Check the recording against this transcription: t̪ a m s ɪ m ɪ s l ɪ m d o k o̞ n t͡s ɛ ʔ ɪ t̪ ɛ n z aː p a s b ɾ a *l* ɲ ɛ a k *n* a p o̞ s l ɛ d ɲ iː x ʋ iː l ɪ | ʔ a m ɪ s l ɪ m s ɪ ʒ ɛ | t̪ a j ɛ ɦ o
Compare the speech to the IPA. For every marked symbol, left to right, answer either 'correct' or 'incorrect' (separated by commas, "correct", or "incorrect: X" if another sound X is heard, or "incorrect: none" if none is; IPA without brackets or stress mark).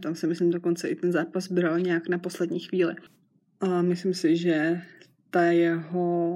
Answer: correct, correct